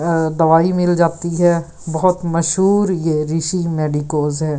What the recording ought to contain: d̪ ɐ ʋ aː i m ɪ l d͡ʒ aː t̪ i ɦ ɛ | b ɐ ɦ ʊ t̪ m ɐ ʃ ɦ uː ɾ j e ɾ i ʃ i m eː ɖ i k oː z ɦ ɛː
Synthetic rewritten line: d̪ ɐ ʋ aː i m ɪ l d͡ʒ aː t̪ i ɦ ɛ | b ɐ ɦ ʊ t̪ m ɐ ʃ ɦ uː ɾ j e ɾ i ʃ i m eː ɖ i k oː z ɦ ɛː